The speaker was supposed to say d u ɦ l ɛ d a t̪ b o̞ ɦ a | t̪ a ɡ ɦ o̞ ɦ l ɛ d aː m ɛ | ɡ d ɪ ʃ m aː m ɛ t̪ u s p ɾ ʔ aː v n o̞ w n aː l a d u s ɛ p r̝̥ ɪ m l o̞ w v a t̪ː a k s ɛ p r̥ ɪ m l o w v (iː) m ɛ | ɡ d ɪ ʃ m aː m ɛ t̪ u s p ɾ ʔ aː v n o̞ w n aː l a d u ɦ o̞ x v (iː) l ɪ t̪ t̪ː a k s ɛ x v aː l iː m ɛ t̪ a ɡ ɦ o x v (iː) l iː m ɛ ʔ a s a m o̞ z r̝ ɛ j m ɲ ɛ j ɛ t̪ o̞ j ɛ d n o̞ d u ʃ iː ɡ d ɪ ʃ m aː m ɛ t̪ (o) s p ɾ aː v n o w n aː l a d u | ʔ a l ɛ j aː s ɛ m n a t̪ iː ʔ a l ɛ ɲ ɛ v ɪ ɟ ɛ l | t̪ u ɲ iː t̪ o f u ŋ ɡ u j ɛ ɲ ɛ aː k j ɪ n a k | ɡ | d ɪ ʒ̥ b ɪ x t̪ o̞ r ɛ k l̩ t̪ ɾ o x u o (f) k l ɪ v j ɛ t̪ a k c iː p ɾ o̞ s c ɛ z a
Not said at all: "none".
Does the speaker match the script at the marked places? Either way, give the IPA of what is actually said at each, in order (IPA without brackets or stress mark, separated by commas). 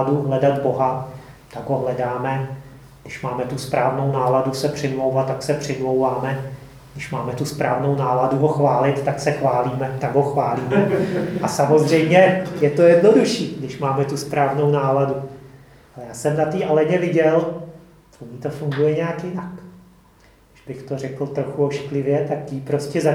aː, aː, aː, u, ʃ